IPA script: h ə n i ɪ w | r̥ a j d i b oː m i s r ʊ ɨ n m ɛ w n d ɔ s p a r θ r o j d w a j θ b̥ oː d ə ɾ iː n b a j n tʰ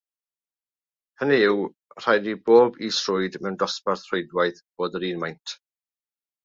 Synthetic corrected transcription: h ə n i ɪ w | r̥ a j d i b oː b i s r ʊ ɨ d m ɛ w n d ɔ s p a r θ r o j d w a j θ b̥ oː d ə ɾ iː n m a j n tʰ